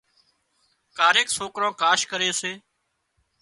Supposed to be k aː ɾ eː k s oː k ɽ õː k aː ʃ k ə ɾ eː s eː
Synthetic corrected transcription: k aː ɾ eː k s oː k ɾ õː k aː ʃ k ə ɾ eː s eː